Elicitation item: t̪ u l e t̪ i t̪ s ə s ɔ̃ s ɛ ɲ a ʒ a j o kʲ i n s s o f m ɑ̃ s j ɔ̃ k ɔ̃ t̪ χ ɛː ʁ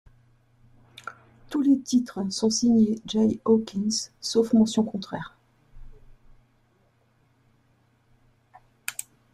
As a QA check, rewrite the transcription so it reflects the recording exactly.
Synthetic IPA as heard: t̪ u l e t̪ i t̪ χ ə s ɔ̃ s i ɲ e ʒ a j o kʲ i n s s o f m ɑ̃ s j ɔ̃ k ɔ̃ t̪ χ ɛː ʁ